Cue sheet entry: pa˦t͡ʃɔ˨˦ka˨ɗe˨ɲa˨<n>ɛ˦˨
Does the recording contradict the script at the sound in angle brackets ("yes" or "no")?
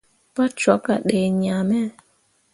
yes